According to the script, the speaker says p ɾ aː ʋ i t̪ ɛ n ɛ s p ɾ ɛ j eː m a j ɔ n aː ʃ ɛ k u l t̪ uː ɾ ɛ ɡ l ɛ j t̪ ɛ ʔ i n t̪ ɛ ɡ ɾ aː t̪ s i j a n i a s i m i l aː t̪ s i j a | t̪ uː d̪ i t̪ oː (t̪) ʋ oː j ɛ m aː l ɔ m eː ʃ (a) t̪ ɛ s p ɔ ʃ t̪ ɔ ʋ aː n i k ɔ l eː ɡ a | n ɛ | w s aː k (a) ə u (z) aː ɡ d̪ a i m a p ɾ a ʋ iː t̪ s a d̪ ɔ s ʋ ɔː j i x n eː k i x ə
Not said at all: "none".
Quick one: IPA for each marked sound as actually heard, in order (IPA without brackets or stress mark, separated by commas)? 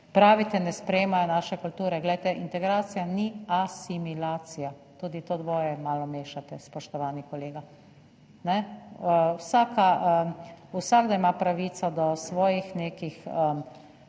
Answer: d̪, a, a, s